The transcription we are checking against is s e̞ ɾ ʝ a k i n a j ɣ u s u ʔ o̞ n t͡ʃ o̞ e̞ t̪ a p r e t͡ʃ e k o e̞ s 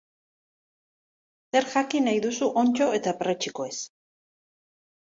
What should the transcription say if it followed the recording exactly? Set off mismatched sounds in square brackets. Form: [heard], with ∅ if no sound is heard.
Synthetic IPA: s e̞ ɾ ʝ a k i n a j [ð] u s u ʔ o̞ n t͡ʃ o̞ e̞ t̪ a p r e t͡ʃ [i] k o e̞ s